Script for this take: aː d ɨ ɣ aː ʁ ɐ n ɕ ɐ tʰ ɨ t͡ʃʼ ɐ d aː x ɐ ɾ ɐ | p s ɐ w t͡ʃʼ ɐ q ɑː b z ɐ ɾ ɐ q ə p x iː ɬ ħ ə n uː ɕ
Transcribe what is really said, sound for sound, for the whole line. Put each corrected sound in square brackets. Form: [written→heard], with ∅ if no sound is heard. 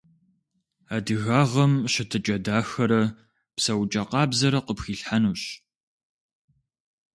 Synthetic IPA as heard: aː d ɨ ɣ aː ʁ ɐ [n→m] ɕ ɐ tʰ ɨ t͡ʃʼ ɐ d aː x ɐ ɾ ɐ | p s ɐ w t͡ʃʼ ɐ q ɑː b z ɐ ɾ ɐ q ə p x iː ɬ ħ [ə→a] n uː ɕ